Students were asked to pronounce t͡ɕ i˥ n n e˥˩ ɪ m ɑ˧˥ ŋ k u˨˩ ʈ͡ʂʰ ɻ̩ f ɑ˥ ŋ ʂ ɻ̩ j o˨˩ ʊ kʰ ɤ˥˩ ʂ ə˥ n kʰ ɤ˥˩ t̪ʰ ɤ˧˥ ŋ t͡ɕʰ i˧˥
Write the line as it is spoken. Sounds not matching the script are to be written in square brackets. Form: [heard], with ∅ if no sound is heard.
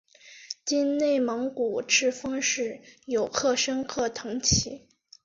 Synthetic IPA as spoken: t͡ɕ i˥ n n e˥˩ ɪ m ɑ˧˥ ŋ k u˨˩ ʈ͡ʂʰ ɻ̩ f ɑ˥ ŋ ʂ ɻ̩ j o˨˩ ʊ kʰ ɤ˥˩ ʂ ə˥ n kʰ ɤ˥˩ t̪ʰ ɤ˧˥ ŋ t͡ɕʰ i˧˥